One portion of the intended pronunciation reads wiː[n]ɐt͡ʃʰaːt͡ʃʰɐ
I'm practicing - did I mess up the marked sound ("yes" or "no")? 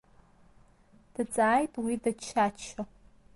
yes